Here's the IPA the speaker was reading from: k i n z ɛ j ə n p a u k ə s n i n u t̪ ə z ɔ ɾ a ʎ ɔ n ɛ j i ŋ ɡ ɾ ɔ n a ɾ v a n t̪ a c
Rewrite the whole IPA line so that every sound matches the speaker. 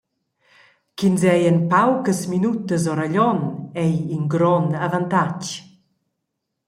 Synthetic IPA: k i n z ɛ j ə n p a w k ə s m i n u t̪ ə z ɔ ɾ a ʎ ɔ n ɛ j i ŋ ɡ ɾ ɔ n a v a n t̪ a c